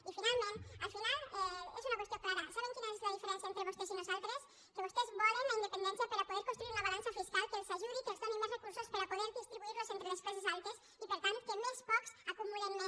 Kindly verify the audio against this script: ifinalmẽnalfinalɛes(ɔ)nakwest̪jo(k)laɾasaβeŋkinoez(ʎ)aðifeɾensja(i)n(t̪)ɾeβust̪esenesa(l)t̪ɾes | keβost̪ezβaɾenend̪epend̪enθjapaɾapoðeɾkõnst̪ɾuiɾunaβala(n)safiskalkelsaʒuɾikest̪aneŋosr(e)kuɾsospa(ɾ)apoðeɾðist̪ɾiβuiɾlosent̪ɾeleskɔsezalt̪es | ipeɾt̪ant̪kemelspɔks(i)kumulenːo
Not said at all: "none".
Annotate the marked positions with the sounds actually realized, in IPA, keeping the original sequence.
u, k, l, e, t̪, l, n, e, ɾ, a

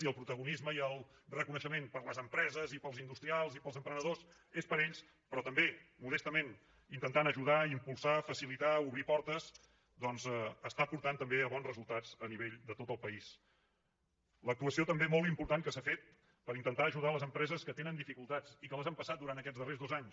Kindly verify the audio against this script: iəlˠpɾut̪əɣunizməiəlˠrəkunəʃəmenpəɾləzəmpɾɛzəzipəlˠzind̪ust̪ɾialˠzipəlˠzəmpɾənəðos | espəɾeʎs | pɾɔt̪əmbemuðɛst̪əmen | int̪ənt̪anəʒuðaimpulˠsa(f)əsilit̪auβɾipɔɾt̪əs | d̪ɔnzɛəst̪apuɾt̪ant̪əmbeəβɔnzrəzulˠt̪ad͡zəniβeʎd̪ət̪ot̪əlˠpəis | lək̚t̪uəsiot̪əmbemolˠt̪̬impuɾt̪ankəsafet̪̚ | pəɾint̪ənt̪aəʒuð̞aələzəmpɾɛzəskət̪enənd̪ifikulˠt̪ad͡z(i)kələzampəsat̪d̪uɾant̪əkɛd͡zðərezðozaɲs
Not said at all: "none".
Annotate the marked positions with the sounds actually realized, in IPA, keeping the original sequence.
f, i

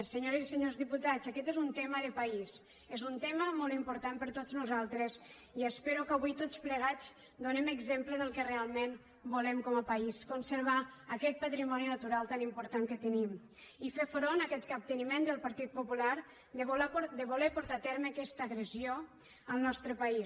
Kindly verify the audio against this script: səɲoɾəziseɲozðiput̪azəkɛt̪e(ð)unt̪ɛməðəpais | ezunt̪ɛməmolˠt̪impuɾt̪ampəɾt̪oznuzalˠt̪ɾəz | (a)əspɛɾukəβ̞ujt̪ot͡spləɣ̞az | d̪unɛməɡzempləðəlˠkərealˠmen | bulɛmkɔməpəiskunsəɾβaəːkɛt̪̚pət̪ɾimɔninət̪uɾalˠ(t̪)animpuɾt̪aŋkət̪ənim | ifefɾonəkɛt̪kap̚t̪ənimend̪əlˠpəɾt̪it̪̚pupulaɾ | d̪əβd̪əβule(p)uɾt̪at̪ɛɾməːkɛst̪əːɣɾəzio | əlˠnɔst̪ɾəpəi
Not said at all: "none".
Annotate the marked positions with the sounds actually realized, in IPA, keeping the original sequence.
z, i, t̪, p

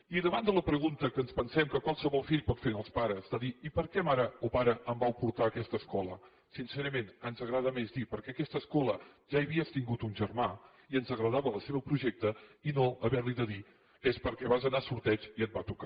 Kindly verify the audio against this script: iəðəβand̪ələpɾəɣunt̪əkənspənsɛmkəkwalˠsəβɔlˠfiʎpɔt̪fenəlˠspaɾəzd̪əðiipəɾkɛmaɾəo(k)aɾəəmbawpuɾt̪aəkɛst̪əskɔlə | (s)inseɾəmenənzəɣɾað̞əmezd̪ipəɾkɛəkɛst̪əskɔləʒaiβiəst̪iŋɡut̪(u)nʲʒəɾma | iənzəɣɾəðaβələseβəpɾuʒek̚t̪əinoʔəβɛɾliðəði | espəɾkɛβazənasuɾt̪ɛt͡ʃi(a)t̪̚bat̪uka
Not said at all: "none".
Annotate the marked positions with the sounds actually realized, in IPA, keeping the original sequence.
p, s, u, ə

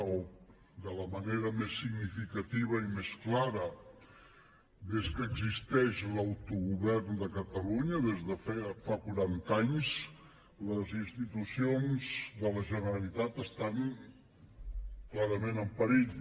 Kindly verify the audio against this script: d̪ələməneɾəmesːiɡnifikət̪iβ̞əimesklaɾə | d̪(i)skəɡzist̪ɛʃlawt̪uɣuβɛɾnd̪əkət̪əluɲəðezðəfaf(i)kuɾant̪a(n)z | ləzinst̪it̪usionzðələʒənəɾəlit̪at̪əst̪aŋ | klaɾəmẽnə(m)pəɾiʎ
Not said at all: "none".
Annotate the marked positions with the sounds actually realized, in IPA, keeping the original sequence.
e, a, ɲ, m

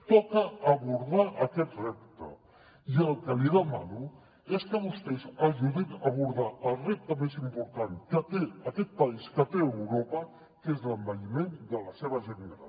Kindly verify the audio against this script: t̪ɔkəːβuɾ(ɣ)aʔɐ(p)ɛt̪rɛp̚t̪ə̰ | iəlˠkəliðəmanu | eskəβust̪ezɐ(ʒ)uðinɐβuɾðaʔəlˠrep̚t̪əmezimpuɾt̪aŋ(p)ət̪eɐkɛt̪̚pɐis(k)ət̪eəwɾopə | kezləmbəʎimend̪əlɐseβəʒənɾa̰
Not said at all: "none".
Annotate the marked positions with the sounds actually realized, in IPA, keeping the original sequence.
ð, k, ʒ, k, k

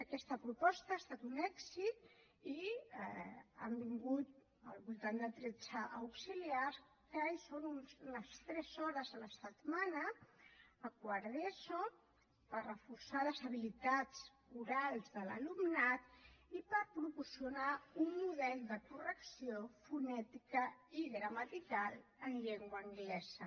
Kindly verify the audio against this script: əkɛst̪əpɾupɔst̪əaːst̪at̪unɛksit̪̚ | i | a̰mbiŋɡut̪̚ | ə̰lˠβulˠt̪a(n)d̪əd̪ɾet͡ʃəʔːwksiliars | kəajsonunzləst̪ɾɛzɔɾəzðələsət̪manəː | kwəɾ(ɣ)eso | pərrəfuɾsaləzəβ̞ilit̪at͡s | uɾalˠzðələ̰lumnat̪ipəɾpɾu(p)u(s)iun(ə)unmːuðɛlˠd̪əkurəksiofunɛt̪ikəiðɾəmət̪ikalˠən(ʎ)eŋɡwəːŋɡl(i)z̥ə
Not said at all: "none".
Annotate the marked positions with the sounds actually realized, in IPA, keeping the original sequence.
n, ð, p, s, a, ʎ, ɛ

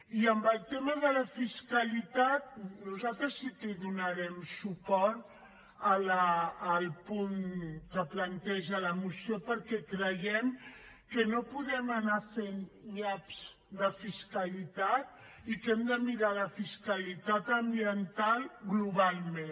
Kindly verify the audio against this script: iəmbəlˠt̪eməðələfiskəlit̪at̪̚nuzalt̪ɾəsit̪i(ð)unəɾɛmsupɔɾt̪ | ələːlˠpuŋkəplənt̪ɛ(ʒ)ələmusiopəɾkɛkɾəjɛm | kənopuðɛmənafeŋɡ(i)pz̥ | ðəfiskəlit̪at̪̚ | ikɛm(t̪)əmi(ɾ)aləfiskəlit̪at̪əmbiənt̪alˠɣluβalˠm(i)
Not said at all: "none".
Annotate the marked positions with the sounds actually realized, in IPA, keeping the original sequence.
ð, ʒ, a, d̪, ɾ, e

